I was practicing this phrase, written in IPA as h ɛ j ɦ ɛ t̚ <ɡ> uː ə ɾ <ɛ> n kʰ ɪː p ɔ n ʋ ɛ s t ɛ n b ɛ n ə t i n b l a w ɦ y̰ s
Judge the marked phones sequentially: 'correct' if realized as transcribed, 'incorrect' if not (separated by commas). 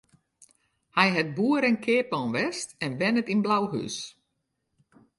incorrect, correct